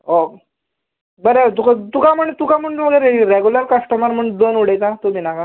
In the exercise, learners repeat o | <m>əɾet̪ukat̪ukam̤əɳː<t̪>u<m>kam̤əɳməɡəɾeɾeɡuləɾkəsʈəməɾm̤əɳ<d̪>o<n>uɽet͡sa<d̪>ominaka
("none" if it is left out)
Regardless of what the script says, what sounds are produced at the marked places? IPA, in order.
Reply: b, t̪, none, d̪, n, t̪

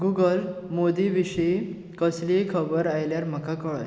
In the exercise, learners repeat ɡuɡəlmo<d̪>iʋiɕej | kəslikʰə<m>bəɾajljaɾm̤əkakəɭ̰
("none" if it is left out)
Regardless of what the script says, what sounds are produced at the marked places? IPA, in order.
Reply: d̪, none

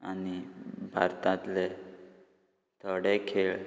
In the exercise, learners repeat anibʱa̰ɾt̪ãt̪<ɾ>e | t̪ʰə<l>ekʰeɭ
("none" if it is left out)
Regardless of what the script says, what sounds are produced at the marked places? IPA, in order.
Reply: l, ɽ

